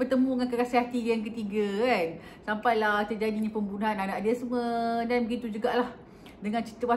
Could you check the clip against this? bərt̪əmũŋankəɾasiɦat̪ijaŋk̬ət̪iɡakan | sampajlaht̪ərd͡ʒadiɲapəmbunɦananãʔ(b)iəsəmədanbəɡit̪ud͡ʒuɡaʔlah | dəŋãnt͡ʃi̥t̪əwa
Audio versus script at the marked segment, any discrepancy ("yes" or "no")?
yes